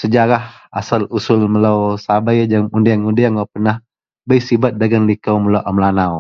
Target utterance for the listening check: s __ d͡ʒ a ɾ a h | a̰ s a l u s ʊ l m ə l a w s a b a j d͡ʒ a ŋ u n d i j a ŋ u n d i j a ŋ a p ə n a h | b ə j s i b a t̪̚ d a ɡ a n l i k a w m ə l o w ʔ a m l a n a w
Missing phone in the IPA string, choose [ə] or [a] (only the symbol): ə